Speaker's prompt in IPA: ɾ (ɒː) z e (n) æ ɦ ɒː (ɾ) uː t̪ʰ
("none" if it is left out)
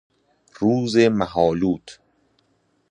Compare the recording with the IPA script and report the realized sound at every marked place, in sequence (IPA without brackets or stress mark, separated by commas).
uː, m, l